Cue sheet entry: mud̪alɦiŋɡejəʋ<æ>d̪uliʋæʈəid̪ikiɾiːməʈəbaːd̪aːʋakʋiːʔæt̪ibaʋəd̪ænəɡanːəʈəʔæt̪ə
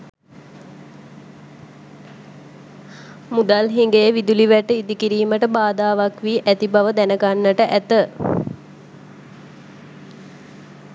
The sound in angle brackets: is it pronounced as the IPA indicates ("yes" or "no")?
no